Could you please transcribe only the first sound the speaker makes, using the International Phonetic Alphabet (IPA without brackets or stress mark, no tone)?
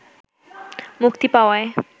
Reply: m